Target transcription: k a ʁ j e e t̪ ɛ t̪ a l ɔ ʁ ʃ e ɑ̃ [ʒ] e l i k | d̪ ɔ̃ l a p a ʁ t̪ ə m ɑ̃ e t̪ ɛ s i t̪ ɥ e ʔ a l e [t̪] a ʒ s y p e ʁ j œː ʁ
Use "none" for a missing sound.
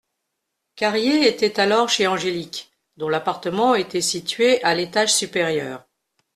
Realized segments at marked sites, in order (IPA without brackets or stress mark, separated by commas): ʒ, t̪